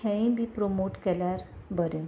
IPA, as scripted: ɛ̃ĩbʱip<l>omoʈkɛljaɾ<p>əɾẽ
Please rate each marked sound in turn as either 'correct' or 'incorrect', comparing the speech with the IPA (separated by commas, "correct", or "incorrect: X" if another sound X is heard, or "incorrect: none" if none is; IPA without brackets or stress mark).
incorrect: ɾ, incorrect: b